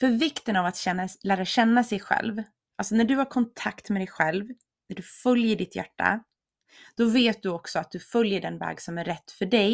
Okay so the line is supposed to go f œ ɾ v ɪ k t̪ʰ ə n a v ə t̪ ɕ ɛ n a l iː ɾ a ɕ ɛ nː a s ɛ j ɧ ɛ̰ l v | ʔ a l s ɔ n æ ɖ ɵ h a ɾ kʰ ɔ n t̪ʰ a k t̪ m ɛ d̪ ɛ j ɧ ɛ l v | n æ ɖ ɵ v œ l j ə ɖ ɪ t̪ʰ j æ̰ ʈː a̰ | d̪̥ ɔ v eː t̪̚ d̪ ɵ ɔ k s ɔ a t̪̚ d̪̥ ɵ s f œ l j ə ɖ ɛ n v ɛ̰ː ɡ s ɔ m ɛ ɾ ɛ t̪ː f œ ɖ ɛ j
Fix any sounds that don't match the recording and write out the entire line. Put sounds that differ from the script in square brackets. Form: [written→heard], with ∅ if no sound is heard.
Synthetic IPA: f œ ɾ v ɪ k [t̪ʰ→t̪] ə n a v [ə→a] t̪ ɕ ɛ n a l [iː→æː] ɾ a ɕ ɛ nː a s ɛ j ɧ ɛ̰ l v | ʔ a l s ɔ n æ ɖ ɵ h a ɾ kʰ ɔ n t̪ʰ a k t̪ m ɛ d̪ ɛ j ɧ ɛ l v | n æ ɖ ɵ [v→f] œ l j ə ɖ ɪ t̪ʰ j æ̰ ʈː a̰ | d̪̥ ɔ v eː t̪̚ d̪ ɵ ɔ k s ɔ a t̪̚ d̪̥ ɵ [s→∅] f œ l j ə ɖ ɛ n v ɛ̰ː ɡ s ɔ m [ɛ→æ] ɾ ɛ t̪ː f œ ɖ ɛ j